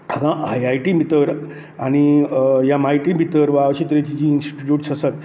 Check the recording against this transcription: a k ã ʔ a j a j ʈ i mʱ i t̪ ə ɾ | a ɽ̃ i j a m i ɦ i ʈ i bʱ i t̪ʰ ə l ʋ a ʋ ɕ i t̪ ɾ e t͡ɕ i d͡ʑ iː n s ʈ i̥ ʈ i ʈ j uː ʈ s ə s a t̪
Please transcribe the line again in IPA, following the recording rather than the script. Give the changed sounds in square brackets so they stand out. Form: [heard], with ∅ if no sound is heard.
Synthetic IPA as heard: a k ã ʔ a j a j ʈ i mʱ i t̪ ə ɾ | a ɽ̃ i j a m [a] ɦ i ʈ i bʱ i [t̪] ə [ɾ] ʋ a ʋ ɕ i t̪ ɾ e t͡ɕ i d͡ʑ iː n s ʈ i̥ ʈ i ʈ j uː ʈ s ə s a t̪